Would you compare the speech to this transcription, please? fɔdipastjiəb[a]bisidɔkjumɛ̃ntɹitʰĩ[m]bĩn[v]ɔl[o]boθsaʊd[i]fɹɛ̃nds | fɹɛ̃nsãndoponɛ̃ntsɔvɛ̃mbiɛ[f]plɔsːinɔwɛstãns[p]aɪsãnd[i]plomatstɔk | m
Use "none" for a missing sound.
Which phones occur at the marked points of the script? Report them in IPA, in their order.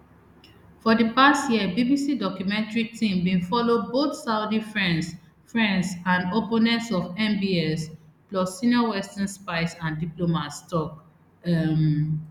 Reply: i, m, f, o, i, s, p, i

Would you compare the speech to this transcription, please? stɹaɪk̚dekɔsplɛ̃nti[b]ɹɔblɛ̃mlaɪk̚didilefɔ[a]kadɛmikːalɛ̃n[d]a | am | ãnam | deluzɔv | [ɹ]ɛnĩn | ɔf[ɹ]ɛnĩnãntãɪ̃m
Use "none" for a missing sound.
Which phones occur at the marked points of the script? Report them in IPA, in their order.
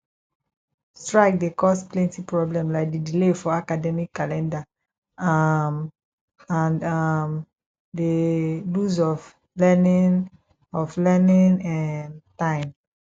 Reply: p, a, d, l, l

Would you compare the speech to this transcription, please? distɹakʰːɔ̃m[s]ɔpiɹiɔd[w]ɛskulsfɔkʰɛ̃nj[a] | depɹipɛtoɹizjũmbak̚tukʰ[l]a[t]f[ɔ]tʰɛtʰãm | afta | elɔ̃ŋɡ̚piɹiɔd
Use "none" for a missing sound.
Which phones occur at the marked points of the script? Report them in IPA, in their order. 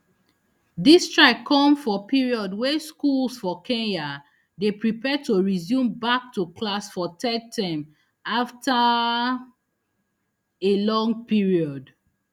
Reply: f, w, a, l, s, ɔ

